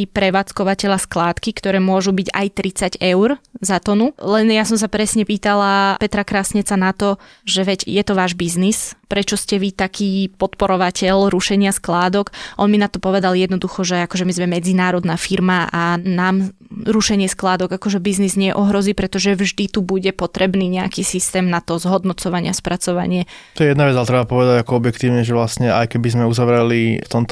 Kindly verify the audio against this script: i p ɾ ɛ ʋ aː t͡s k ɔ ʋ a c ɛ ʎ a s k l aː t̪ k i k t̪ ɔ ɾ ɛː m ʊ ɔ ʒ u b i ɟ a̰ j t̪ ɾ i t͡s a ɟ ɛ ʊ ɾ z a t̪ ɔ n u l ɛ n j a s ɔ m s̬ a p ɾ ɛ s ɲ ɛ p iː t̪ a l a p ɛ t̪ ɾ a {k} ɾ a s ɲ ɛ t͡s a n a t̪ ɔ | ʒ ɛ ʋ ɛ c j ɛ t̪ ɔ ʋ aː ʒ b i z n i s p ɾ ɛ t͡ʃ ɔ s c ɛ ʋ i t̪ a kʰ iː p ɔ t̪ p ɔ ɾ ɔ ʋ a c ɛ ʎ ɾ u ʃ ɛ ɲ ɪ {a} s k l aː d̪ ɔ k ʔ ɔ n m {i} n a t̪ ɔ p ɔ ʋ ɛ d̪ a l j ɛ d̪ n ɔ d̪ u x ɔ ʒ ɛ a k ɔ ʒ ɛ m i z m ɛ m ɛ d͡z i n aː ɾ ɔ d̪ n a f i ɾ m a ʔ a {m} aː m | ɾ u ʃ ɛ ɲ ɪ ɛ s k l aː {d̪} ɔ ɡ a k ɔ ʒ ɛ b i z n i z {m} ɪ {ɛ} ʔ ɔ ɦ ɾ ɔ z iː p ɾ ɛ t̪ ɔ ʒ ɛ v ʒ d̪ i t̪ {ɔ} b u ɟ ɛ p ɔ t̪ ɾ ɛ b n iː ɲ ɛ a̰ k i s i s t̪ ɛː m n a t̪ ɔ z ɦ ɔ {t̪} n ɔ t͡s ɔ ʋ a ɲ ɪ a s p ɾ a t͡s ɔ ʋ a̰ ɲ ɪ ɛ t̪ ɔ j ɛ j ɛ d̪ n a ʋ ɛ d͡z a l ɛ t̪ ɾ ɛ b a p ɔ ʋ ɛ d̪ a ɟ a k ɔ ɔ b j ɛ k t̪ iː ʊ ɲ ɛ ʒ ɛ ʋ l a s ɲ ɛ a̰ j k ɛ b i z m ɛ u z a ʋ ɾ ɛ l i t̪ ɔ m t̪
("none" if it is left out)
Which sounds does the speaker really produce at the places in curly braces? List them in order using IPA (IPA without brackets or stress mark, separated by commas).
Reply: k, a, i, n, d̪, ɲ, ɛ, u, d̪